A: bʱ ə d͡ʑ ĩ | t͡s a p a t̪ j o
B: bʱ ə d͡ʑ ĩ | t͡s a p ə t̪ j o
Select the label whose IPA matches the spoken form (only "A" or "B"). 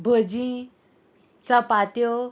A